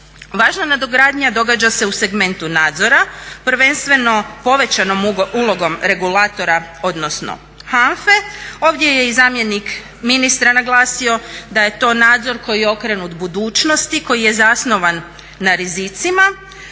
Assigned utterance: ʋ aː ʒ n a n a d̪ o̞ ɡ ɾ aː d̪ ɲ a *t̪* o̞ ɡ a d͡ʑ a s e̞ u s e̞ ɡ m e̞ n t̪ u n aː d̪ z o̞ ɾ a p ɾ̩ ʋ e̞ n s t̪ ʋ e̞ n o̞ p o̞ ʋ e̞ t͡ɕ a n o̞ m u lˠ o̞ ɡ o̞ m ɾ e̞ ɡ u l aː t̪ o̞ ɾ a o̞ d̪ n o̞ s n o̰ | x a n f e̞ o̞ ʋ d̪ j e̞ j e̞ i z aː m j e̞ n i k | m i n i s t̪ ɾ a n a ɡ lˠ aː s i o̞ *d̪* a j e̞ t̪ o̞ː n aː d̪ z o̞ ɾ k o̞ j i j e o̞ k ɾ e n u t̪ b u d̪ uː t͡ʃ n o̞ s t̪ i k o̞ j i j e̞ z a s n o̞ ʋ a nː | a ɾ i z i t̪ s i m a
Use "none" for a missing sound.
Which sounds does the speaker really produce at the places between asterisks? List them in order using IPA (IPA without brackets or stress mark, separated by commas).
d̪, d̪